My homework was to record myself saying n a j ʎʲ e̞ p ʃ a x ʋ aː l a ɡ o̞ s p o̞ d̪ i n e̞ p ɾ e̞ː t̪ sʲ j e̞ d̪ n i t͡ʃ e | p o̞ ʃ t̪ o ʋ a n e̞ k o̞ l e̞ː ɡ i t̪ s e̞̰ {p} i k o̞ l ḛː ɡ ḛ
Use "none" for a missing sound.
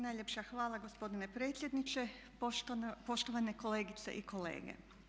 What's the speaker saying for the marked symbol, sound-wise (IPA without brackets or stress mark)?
ʔ